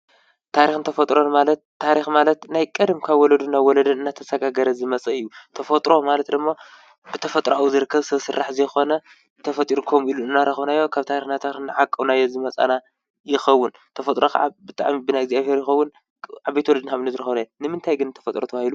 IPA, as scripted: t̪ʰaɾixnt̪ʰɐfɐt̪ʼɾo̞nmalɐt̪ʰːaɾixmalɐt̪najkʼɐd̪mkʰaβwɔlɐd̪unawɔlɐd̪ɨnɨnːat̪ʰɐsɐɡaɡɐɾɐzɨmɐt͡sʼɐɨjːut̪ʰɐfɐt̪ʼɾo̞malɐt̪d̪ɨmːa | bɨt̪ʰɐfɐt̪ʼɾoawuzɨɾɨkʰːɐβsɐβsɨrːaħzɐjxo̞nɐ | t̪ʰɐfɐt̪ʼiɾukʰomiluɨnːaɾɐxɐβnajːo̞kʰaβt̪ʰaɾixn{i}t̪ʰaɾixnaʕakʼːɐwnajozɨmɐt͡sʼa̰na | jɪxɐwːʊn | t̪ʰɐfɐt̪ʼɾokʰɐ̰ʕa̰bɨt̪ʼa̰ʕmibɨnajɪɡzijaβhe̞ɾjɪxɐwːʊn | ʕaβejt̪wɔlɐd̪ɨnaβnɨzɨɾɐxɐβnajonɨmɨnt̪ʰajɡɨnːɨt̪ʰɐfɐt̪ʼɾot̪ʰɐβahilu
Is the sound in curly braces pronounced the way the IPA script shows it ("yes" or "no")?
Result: no